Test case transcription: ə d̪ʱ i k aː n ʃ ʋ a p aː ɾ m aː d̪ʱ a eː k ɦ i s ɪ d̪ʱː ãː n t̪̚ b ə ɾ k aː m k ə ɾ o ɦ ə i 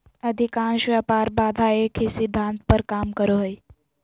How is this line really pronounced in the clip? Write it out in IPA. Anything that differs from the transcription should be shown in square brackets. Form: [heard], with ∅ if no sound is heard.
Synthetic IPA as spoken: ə d̪ʱ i k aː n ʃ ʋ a p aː ɾ [b] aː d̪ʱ a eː k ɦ i s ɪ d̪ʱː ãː n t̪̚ [p] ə ɾ k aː m k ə ɾ o ɦ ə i